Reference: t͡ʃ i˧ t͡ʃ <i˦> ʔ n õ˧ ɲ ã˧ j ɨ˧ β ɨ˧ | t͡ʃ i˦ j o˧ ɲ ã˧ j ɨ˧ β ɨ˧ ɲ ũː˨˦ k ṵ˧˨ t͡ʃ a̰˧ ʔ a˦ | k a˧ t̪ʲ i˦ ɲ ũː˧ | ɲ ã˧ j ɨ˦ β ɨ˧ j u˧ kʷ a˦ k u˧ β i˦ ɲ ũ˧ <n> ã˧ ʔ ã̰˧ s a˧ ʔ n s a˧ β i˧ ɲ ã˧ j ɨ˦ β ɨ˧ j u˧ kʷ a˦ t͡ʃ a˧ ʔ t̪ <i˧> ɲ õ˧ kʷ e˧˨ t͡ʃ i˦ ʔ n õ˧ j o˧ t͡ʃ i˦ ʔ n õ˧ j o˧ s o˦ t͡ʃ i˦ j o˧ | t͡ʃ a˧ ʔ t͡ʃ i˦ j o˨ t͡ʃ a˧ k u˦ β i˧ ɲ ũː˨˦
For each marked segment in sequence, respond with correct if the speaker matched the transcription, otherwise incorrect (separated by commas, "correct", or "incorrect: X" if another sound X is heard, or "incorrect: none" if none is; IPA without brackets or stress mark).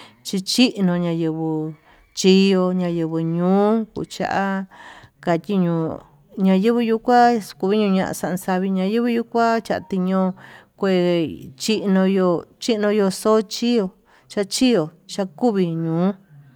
correct, incorrect: ɲ, correct